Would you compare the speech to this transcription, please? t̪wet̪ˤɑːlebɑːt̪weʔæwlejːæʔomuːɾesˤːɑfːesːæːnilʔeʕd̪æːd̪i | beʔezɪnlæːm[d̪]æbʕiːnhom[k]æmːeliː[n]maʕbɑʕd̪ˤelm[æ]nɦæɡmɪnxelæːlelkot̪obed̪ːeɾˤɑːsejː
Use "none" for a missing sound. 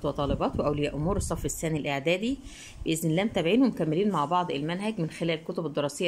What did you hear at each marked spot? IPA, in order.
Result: t̪, k, n, æ

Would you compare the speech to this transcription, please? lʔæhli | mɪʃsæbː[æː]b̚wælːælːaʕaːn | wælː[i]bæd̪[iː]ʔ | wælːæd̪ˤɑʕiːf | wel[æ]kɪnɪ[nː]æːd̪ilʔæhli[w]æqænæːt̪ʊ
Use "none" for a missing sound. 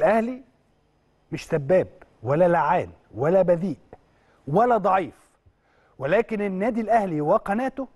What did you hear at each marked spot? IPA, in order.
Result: æː, æ, iː, æː, nː, w

